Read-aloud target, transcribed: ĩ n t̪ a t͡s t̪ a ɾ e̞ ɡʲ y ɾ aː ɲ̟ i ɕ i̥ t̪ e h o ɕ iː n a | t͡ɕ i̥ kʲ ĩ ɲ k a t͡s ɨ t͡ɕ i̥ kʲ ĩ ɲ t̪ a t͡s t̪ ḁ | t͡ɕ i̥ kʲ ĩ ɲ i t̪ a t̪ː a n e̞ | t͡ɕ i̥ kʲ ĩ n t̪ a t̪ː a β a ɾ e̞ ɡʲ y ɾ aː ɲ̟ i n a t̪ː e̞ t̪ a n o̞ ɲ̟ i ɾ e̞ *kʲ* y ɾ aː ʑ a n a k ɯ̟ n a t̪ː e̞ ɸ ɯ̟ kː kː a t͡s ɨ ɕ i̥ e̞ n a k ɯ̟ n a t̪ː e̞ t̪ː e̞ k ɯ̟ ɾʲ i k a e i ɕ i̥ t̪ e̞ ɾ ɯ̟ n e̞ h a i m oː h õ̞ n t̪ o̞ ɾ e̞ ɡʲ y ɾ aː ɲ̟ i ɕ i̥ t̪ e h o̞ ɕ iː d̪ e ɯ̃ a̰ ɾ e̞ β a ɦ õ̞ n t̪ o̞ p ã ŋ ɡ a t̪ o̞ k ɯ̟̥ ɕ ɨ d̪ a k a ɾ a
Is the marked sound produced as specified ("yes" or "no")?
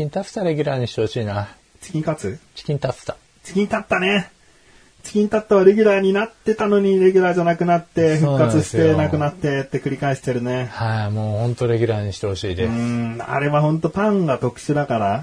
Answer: no